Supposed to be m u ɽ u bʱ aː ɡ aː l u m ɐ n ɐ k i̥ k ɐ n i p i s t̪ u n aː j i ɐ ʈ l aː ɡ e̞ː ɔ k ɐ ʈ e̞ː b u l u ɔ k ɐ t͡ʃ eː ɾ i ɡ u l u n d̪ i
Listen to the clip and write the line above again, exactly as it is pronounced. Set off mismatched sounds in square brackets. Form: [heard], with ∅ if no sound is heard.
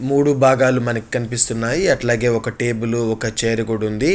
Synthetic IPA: m [uː] ɽ u bʱ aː ɡ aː l u m ɐ n ɐ k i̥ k ɐ n i p i s t̪ u [nː] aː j i ɐ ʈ l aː ɡ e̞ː ɔ k ɐ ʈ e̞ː b u l u ɔ k ɐ t͡ʃ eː ɾ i ɡ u [ɽ] u n d̪ i